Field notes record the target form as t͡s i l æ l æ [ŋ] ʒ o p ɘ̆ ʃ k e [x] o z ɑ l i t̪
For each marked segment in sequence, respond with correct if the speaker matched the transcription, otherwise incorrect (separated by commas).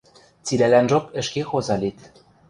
incorrect, correct